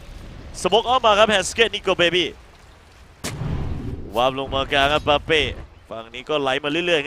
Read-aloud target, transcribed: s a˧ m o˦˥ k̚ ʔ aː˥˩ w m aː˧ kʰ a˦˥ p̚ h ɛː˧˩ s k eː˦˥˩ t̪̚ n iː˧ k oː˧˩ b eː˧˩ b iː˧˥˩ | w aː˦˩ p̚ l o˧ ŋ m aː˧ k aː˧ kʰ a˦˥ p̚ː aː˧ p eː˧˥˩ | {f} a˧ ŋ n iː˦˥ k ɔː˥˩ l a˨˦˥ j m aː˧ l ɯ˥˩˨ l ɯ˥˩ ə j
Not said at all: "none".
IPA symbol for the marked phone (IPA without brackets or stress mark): f